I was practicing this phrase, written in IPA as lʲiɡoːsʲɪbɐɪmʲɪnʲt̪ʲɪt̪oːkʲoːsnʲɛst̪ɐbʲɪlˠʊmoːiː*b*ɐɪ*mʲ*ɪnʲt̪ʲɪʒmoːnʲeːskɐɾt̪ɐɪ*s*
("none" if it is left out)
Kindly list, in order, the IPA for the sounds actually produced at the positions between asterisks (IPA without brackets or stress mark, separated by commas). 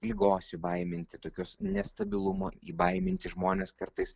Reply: b, mʲ, s